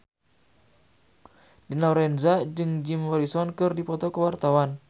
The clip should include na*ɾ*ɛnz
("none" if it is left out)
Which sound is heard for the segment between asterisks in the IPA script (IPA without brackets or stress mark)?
ɾ